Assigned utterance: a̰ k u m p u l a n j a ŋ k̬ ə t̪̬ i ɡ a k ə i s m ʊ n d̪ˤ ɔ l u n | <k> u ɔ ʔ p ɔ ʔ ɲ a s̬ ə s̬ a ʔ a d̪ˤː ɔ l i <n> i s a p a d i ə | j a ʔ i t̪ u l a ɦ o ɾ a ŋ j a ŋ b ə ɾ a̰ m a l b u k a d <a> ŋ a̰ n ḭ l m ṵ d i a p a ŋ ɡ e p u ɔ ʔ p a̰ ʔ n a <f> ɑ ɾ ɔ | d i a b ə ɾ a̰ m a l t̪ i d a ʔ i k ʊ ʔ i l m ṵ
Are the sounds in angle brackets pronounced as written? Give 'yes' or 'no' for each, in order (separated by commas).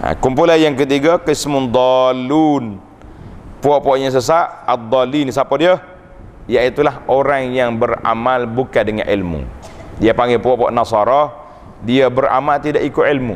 no, yes, no, no